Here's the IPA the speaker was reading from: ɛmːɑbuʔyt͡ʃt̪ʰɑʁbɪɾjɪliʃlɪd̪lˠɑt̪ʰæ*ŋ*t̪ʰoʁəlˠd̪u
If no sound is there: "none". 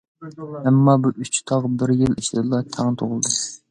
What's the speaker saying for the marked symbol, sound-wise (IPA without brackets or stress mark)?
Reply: ŋ